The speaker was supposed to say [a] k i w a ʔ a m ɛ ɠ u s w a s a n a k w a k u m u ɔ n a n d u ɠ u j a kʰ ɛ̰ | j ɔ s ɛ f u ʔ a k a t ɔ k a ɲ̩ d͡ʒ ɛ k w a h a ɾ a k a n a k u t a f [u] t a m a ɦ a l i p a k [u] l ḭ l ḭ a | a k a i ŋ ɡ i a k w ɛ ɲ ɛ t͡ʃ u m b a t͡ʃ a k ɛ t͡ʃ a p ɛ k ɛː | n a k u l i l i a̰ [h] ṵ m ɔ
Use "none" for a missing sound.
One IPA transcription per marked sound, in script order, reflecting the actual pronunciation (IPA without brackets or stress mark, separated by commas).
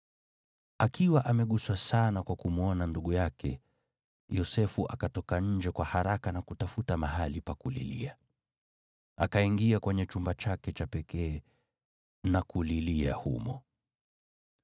a, u, u, h